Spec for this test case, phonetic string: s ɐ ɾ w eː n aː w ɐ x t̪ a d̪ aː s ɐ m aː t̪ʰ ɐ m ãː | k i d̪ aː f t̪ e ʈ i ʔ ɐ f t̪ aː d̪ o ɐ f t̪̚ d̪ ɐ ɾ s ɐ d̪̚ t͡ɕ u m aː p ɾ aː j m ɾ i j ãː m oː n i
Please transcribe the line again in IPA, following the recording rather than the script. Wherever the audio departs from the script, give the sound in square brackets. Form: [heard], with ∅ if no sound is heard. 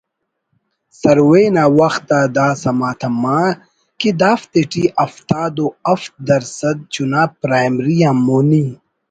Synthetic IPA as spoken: s ɐ ɾ w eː n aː w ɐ x t̪ a d̪ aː s ɐ m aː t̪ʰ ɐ m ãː | k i d̪ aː f t̪ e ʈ i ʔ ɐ f t̪ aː d̪ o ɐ f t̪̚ d̪ ɐ ɾ s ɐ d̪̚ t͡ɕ u [n] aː p ɾ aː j m ɾ i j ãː m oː n i

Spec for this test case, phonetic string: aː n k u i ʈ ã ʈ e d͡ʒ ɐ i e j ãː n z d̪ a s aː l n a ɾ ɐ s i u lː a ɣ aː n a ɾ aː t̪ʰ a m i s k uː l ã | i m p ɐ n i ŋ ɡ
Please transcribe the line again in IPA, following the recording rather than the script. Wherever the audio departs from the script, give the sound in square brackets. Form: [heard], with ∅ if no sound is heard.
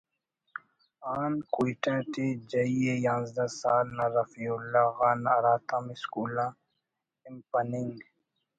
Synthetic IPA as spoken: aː n k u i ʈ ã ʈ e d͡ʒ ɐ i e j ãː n z d̪ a s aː l n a ɾ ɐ [f] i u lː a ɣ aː n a ɾ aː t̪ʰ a m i s k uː l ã | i m p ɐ n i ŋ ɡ

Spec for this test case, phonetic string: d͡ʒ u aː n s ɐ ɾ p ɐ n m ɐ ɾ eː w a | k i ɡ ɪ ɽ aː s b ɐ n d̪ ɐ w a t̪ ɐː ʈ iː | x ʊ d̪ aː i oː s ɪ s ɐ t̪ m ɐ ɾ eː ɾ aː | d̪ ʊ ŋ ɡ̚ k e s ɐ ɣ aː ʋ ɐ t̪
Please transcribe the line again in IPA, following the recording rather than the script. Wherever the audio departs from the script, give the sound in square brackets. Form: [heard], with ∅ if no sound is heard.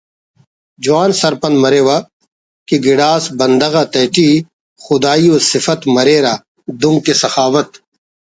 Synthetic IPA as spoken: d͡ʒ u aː n s ɐ ɾ p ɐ n m ɐ ɾ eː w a | k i ɡ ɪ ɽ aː s b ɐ n d̪ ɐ [ɣ] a t̪ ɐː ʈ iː | x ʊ d̪ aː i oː s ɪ [f] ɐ t̪ m ɐ ɾ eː ɾ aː | d̪ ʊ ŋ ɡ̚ k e s ɐ [x] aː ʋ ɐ t̪

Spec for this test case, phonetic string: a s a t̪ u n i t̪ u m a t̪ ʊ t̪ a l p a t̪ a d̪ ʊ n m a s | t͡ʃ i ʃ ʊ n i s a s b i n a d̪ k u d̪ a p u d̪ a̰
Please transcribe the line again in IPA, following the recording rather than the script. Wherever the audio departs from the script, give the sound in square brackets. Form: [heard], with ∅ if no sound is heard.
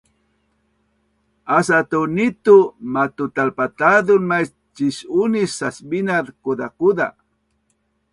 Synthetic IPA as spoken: a s a t̪ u n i t̪ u m a t̪ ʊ t̪ a l p a t̪ a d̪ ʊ n m a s | t͡ʃ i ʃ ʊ n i s a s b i n a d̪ k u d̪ a [k] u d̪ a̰

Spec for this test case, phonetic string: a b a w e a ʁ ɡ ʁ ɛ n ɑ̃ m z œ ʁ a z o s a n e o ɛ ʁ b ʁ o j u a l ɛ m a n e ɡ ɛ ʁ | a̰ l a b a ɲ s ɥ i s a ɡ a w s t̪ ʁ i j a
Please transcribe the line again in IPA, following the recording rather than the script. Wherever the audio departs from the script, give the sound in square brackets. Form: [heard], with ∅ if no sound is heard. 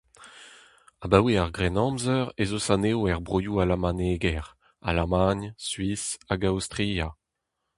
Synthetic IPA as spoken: a b a w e a ʁ ɡ ʁ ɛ n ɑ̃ m z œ ʁ [e] z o s a n e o ɛ ʁ b ʁ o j u a l [a] m a n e ɡ ɛ ʁ | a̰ l a [m] a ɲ s ɥ i s a ɡ a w s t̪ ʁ i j a

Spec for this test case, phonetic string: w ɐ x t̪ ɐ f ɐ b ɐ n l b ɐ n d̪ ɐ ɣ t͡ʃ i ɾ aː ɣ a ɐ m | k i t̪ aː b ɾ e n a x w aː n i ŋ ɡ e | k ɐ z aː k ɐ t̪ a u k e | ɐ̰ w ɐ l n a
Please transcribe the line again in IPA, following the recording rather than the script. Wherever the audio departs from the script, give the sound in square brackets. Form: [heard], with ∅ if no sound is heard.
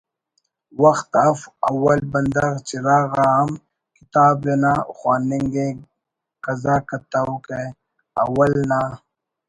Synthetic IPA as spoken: w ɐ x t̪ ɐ f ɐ [w] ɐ [∅] l b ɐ n d̪ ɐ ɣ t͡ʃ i ɾ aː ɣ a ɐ m | k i t̪ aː b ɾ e n a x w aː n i ŋ ɡ e | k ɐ z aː k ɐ t̪ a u k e | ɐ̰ w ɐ l n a

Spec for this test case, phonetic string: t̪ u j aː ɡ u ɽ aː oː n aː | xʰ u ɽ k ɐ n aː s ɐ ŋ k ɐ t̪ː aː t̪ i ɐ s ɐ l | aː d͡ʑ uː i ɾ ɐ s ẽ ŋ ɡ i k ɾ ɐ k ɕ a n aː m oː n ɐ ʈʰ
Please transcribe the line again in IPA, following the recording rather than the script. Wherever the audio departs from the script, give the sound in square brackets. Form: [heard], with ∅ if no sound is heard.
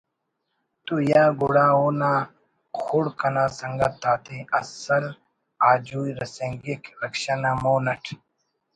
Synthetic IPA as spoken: t̪ u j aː ɡ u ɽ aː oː n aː | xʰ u ɽ k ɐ n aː s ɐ ŋ [ɡ] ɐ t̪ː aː t̪ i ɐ s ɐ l | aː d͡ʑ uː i ɾ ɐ s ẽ ŋ ɡ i k ɾ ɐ k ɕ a n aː m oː n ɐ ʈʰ

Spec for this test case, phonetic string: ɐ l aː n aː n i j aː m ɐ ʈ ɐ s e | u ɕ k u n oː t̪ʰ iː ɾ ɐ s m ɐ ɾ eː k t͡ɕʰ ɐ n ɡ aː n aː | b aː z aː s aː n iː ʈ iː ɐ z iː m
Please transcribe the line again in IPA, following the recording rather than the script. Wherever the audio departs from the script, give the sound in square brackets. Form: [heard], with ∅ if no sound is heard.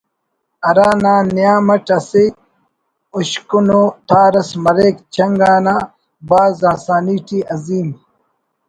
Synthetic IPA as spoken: ɐ [ɾ] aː n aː n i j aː m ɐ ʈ ɐ s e | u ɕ k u n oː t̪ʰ [aː] ɾ ɐ s m ɐ ɾ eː k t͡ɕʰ ɐ [ŋ] ɡ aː n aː | b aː z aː s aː n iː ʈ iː ɐ z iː m

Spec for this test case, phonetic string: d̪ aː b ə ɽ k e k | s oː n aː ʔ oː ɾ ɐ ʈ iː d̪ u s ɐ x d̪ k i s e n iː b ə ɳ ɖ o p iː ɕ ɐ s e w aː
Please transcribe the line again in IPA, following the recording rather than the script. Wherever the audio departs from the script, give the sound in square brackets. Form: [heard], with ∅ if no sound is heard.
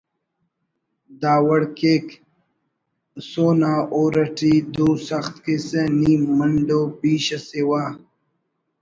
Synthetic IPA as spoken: d̪ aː [w] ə ɽ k e k | s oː n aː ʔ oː ɾ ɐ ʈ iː d̪ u s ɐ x [t̪] k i s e n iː [m] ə ɳ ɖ o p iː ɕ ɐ s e w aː

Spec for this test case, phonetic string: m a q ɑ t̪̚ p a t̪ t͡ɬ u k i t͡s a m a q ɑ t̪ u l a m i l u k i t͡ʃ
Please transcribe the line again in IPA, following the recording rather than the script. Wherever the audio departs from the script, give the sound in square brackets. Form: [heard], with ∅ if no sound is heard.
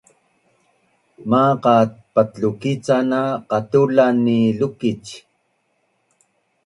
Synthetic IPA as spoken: m a q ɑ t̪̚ p a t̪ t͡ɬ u k i t͡s a [n] a q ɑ t̪ u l a [n] i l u k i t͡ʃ

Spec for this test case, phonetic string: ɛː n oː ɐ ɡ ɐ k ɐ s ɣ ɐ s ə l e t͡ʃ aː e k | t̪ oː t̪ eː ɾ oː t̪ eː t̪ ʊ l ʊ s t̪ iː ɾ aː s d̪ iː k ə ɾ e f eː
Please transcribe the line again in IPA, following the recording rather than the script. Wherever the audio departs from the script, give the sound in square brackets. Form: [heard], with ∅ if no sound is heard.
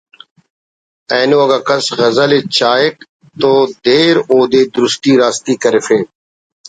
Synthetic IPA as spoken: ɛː n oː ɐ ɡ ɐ k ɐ s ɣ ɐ [z] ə l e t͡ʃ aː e k | t̪ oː [d̪] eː ɾ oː [d̪] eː [d̪] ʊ [ɾ] ʊ s t̪ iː ɾ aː s [t̪] iː k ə ɾ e f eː

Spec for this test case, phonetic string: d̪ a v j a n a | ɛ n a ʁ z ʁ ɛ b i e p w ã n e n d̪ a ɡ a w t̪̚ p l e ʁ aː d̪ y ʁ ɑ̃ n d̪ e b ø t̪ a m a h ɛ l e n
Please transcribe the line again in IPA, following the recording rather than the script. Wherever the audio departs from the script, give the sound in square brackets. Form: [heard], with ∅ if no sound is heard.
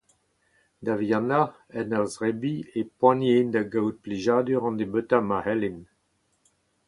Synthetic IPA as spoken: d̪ a v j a n a | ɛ n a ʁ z ʁ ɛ b i e p w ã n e n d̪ a ɡ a w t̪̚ p l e [ʒ] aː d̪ y ʁ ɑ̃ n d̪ e b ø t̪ a m a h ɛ l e n

